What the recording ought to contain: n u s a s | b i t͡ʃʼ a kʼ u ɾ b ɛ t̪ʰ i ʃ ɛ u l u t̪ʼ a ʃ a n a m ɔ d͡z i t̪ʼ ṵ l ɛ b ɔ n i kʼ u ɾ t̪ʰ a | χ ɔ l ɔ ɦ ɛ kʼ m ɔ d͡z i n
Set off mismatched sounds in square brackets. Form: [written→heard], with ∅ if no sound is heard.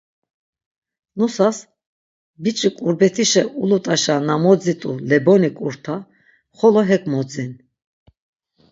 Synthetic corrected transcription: n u s a s | b i t͡ʃʼ [a→i] kʼ u ɾ b ɛ t̪ʰ i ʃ ɛ u l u t̪ʼ a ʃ a n a m ɔ d͡z i t̪ʼ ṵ l ɛ b ɔ n i kʼ u ɾ t̪ʰ a | χ ɔ l ɔ ɦ ɛ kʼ m ɔ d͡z i n